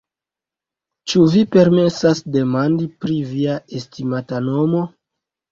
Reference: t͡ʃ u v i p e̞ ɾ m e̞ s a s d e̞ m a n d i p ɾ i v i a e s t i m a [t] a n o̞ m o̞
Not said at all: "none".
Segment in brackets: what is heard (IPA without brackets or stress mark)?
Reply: t